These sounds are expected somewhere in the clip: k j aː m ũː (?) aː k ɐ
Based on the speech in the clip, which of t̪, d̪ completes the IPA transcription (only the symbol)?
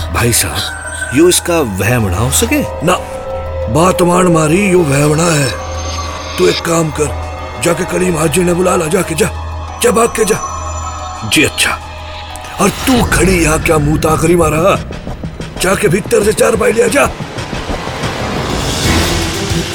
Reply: t̪